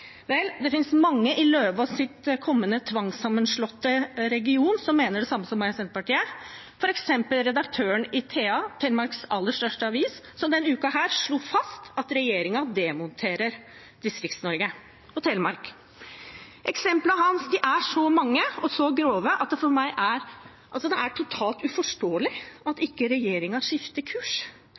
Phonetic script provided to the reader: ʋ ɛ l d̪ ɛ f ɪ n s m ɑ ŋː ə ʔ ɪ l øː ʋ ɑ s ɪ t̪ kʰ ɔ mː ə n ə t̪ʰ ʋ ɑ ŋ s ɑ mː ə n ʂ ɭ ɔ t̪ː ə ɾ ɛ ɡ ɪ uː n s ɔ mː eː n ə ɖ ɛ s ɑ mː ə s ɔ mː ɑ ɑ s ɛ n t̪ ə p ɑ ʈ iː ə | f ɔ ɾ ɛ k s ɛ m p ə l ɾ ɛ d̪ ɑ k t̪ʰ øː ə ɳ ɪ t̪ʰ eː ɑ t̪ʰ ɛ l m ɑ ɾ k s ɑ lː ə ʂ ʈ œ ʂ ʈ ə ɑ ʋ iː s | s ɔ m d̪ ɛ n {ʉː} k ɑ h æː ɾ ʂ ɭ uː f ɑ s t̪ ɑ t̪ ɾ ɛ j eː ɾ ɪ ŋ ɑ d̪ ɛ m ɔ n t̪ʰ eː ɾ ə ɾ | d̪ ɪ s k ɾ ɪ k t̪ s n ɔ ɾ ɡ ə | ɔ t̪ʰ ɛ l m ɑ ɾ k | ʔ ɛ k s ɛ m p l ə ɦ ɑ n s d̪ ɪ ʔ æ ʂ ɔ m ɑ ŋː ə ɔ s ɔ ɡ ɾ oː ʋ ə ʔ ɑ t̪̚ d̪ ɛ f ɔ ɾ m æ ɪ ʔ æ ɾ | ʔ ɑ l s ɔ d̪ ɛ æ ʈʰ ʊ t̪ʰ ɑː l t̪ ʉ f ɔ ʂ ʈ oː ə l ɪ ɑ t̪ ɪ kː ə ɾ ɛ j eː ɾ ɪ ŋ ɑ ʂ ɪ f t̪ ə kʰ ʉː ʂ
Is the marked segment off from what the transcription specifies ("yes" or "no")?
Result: no